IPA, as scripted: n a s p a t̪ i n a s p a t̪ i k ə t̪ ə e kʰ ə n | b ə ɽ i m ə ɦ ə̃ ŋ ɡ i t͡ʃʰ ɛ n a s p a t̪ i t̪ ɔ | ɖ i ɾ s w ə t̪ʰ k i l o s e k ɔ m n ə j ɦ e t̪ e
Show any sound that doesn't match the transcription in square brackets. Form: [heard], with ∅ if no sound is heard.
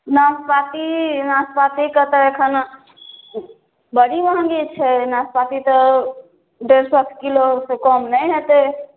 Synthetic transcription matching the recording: n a s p a t̪ i n a s p a t̪ i k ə t̪ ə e kʰ ə n | b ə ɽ i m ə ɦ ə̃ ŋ ɡ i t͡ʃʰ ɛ n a s p a t̪ i t̪ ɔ | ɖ [e] ɾ s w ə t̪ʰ k i l o s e k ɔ m n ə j ɦ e t̪ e